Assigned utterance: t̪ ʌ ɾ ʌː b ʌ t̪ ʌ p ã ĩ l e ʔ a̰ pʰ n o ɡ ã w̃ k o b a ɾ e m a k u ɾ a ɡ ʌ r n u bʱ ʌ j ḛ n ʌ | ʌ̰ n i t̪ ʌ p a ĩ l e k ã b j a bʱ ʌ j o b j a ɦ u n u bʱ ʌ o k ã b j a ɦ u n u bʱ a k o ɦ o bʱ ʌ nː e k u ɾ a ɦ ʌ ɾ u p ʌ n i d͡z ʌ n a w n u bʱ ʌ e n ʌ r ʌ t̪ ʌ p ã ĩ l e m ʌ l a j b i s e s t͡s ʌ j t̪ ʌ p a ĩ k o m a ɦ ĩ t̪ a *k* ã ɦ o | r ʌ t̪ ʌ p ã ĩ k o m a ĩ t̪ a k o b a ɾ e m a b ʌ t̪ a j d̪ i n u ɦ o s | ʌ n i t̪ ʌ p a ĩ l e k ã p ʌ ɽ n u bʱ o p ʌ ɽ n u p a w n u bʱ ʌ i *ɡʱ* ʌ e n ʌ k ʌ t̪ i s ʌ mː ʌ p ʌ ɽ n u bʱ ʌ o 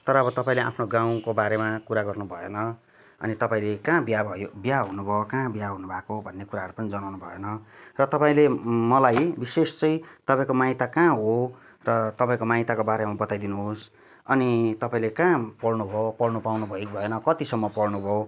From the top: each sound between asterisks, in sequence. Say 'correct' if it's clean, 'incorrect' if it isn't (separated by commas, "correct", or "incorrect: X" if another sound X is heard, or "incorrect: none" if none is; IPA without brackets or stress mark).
correct, incorrect: bʱ